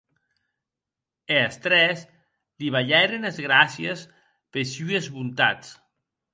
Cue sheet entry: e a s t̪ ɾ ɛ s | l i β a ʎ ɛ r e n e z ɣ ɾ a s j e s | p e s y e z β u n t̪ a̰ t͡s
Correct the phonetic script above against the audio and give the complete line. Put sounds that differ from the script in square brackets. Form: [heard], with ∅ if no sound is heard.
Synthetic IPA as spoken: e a s t̪ ɾ ɛ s | l i β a ʎ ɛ [ɾ] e n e z ɣ ɾ a s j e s | p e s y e z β u n t̪ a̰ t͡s